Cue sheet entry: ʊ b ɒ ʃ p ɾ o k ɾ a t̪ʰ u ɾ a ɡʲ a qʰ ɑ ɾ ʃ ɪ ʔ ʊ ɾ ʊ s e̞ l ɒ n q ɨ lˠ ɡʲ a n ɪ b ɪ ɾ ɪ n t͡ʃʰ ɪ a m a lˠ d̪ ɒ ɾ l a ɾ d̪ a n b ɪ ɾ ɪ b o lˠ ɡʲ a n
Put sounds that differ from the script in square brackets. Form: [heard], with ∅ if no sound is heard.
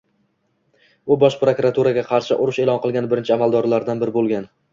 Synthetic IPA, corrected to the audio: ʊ b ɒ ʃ p ɾ o k ɾ a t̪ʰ u ɾ a ɡʲ a qʰ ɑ ɾ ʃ ɪ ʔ ʊ ɾ ʊ [ʃ] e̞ l ɒ n q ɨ lˠ ɡʲ a n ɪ b ɪ ɾ ɪ n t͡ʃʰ ɪ a m a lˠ d̪ ɒ ɾ l a ɾ d̪ a n b ɪ ɾ ɪ b o lˠ ɡʲ a n

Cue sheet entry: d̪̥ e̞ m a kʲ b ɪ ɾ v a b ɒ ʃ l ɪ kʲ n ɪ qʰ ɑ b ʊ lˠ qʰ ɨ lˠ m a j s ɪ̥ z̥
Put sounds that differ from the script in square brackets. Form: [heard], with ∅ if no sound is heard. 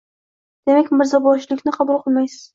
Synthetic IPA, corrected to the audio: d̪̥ e̞ m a kʲ [m] ɪ ɾ [z] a b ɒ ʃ l ɪ kʲ n ɪ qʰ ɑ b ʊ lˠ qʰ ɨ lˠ m a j s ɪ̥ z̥

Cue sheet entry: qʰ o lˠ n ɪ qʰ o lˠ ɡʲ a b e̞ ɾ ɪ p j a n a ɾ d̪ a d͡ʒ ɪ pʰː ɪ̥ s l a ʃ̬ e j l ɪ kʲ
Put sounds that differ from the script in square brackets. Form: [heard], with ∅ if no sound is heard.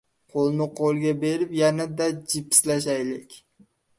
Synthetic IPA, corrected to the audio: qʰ o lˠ n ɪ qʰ o lˠ ɡʲ a b e̞ ɾ ɪ p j a n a [∅] d̪ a d͡ʒ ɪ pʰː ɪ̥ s l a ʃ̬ [a] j l ɪ kʲ

